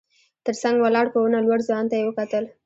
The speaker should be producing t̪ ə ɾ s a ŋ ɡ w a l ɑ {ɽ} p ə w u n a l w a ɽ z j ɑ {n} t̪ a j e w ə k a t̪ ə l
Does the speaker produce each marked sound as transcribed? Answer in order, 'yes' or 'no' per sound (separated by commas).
yes, yes